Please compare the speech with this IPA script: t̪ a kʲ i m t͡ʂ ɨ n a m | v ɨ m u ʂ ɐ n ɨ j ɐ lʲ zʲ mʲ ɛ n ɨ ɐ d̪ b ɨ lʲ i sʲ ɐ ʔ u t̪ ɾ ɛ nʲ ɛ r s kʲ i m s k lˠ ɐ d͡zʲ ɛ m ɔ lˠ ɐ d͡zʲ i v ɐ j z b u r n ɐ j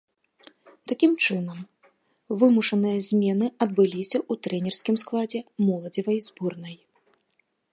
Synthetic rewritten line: t̪ a kʲ i m t͡ʂ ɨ n ɐ m | v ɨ m u ʂ ɐ n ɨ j ɐ zʲ mʲ ɛ n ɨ ɐ d̪ b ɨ lʲ i sʲ ɐ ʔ u t̪ ɾ ɛ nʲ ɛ r s kʲ i m s k lˠ a d͡zʲ ɛ m ɔ lˠ ɐ d͡zʲ i v ɐ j z b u r n ɐ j